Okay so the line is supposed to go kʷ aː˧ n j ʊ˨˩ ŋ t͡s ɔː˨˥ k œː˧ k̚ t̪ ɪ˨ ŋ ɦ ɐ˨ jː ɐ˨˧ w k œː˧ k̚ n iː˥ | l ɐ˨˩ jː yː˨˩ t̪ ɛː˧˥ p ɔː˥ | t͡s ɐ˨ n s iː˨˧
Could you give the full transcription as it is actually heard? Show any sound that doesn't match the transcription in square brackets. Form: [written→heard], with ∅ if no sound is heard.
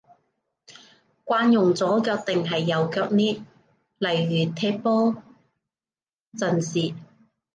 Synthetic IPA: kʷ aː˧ n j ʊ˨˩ ŋ t͡s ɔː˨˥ k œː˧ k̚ t̪ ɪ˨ ŋ ɦ ɐ˨ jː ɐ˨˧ w k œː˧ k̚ n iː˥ | l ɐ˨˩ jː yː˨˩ [t̪→t̪ʰ] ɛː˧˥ p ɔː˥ | t͡s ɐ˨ n s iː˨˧